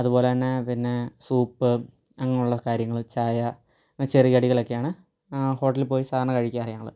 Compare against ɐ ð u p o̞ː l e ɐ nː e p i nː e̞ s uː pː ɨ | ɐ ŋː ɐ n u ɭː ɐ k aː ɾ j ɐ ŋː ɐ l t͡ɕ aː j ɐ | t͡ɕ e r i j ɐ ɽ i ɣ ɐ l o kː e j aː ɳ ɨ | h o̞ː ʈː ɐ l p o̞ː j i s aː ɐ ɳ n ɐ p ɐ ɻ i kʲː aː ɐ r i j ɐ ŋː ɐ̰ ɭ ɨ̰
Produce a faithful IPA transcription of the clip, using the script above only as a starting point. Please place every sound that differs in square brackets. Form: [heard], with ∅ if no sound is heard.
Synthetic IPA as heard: ɐ ð u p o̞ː l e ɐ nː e p i nː e̞ s uː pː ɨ | ɐ ŋː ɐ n u ɭː ɐ k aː ɾ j ɐ ŋː ɐ [ɭ] t͡ɕ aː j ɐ | t͡ɕ e r i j ɐ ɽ i ɣ ɐ [ɭ] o kː e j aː ɳ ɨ | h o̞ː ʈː ɐ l p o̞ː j i s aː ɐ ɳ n ɐ [k] ɐ ɻ i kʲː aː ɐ r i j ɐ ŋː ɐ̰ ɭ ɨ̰